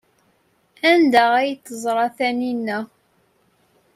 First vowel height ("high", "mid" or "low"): low